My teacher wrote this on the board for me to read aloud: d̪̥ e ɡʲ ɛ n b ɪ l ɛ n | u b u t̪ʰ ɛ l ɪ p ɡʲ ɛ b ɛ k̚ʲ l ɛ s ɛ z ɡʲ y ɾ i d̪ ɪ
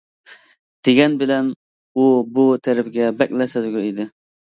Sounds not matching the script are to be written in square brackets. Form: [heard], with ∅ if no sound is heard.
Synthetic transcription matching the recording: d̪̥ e ɡʲ ɛ n b ɪ l ɛ n | u b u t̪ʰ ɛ [ɾ] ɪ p ɡʲ ɛ b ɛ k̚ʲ l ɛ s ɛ z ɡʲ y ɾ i d̪ ɪ